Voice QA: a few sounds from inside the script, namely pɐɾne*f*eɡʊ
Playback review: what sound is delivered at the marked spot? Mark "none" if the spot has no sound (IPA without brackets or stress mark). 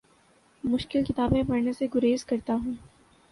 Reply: s